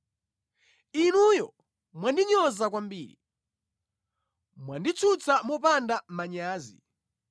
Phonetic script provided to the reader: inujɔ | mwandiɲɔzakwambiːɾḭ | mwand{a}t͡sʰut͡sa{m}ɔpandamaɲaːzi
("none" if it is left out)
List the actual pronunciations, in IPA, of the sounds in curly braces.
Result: i, m

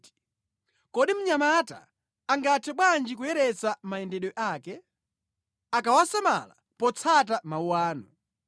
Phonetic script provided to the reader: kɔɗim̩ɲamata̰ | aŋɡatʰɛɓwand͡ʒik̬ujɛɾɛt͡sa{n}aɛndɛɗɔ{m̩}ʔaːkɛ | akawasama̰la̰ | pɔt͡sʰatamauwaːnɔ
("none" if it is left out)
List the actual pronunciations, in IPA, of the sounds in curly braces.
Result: m, none

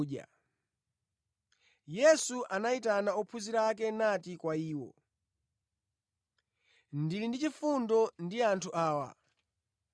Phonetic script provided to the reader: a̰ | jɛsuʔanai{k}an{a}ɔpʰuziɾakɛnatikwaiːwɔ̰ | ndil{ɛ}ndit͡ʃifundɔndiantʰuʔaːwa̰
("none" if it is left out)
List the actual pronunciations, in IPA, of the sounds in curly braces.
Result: t, a, i

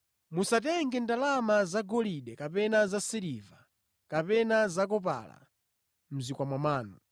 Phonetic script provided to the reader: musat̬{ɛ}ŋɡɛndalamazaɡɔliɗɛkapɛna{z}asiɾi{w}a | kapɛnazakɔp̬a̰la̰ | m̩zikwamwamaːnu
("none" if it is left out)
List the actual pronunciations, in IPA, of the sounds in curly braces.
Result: ɛ, z, v

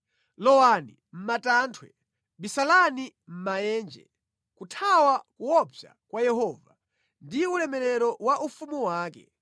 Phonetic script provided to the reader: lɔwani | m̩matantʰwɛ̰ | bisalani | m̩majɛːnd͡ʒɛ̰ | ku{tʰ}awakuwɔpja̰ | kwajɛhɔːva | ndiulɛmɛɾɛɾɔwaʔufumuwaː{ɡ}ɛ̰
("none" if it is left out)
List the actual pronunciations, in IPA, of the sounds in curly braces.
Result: tʰ, k

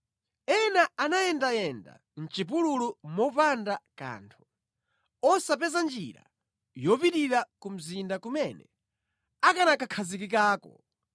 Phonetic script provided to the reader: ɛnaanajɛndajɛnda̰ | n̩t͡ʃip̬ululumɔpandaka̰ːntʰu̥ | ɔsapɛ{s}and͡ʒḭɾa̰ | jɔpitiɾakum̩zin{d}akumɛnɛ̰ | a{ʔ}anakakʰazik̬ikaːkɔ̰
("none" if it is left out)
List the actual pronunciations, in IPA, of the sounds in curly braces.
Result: z, d, k

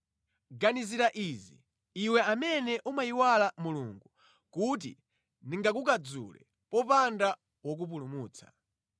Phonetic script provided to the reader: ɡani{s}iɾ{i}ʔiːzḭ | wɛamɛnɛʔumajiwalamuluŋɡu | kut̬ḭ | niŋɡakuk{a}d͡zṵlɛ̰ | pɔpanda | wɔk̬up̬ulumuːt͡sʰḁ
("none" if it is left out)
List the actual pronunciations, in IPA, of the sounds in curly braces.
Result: z, a, a

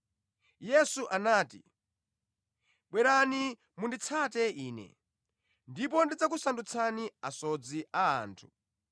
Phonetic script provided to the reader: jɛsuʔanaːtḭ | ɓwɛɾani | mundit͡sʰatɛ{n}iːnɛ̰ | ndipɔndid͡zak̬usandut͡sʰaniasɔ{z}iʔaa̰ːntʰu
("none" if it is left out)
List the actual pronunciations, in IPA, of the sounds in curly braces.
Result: none, d͡z

